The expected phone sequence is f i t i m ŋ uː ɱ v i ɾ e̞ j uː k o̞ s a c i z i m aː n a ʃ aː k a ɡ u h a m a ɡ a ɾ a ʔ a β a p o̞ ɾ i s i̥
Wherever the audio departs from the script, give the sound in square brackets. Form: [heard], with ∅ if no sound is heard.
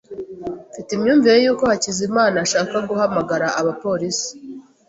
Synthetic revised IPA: f i t i m [ɲ] uː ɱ v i ɾ e̞ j uː k o̞ [h] a c i z i m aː n a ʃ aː k a ɡ u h a m a ɡ a ɾ a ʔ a β a p o̞ ɾ i s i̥